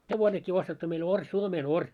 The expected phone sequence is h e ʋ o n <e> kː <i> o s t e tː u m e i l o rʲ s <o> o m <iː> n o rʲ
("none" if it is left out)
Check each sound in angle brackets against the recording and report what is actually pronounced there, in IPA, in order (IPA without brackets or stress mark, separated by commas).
e, iː, u, eː